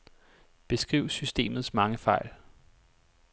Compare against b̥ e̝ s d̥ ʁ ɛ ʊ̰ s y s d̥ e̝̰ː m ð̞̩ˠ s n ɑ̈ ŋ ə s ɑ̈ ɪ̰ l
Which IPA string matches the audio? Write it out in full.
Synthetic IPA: b̥ e̝ s ɡ̥ ʁ i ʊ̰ s y s d̥ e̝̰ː m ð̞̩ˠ s m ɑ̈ ŋ ə f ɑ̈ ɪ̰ l